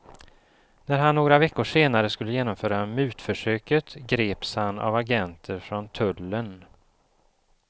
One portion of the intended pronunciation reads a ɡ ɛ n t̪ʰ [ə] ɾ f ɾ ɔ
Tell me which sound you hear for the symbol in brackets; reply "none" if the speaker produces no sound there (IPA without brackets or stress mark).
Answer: ə